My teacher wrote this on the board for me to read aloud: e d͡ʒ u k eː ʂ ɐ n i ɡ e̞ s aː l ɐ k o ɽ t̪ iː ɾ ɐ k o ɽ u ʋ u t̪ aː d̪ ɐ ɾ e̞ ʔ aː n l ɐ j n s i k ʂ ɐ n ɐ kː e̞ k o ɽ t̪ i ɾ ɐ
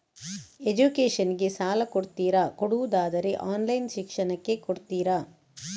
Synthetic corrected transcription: e d͡ʒ u k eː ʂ ɐ n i ɡ e̞ s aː l ɐ k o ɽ t̪ iː ɾ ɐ k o ɽ u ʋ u d̪ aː d̪ ɐ ɾ e̞ ʔ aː n l ɐ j n ʃ i k ʂ ɐ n ɐ kː e̞ k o ɽ t̪ iː ɾ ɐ